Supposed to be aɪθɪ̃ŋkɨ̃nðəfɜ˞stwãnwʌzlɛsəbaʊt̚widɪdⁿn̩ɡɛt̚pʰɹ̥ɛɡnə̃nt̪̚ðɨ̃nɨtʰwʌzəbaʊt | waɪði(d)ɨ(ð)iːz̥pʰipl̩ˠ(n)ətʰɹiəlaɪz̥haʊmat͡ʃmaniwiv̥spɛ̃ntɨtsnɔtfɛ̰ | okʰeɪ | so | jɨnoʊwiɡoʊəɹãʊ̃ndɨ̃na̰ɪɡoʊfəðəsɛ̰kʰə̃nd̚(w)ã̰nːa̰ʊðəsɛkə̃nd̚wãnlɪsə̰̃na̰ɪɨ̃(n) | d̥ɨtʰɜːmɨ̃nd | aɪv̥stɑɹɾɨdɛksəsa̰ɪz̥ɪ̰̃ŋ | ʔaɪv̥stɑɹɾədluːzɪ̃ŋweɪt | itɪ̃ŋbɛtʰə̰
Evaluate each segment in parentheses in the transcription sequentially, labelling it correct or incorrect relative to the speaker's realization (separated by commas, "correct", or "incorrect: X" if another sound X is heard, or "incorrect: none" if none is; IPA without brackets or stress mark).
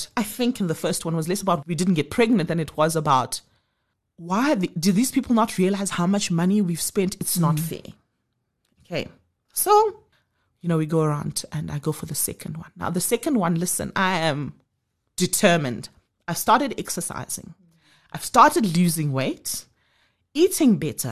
correct, correct, correct, correct, incorrect: m